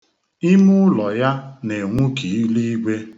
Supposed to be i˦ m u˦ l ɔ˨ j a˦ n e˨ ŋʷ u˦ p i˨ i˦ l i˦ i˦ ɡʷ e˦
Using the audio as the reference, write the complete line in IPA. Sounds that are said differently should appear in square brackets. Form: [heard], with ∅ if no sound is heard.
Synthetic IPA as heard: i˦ m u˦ l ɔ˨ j a˦ n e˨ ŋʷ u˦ [k] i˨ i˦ l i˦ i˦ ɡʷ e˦